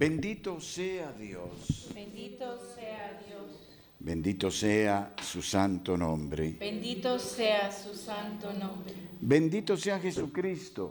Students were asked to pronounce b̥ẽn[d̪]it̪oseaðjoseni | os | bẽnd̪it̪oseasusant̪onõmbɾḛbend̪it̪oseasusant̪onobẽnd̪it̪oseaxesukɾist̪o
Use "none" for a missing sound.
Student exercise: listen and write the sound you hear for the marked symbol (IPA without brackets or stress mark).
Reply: d̪